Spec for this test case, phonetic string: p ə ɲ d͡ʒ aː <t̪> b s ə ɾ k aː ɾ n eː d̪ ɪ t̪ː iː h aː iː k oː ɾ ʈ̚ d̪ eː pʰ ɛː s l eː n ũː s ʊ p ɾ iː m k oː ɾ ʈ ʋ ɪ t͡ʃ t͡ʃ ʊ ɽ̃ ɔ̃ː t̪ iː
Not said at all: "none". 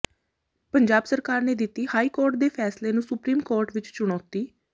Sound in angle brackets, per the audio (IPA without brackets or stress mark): none